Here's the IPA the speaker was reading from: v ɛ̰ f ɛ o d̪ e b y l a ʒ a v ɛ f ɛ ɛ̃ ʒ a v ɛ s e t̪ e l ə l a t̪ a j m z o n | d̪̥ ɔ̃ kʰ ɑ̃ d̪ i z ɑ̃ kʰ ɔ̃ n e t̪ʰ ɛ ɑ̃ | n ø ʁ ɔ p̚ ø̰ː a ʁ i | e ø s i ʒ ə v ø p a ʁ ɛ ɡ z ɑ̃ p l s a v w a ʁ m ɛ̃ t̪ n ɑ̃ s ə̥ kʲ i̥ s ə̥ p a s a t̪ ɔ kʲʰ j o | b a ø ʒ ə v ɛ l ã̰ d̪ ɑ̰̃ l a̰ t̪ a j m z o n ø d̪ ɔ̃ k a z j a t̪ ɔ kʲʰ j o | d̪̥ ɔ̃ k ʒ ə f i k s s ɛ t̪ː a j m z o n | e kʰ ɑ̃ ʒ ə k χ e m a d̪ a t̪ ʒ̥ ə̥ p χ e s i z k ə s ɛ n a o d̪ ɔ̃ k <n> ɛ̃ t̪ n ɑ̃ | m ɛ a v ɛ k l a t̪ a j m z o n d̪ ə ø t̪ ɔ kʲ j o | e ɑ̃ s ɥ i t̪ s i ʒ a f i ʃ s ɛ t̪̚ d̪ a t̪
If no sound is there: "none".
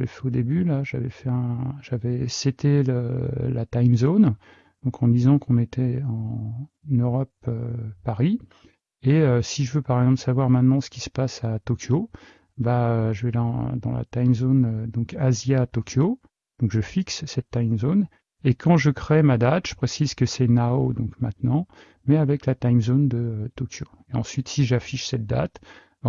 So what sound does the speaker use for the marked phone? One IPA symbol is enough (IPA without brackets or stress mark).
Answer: m